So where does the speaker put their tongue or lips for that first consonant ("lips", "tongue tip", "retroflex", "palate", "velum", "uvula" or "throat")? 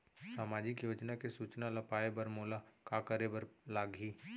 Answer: tongue tip